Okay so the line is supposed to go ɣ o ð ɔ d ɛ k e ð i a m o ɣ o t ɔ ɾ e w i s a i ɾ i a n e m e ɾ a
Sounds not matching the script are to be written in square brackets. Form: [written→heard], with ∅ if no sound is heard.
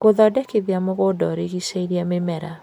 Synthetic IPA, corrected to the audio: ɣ o ð ɔ d ɛ k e ð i a m o ɣ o [t→d] ɔ ɾ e [w→ɣ] i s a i ɾ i a [n→m] e m [e→ɛ] ɾ a